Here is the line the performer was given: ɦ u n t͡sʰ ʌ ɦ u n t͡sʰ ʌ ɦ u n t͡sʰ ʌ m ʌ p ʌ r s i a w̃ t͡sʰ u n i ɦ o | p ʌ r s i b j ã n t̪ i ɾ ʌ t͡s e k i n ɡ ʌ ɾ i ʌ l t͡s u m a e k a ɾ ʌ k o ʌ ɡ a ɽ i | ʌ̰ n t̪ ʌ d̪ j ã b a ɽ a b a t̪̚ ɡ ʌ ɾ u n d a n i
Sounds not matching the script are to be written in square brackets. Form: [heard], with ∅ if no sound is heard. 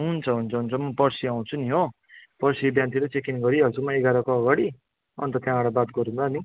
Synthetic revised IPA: ɦ u n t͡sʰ ʌ ɦ u n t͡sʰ ʌ ɦ u n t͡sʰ ʌ m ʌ p ʌ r s i a w̃ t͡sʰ u n i ɦ o | p ʌ r s i b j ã n t̪ i ɾ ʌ t͡s e k i n ɡ ʌ ɾ i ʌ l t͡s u m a e [ɡ] a ɾ ʌ k o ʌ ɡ a ɽ i | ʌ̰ n t̪ ʌ [t̪] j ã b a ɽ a b a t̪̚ ɡ ʌ ɾ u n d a n i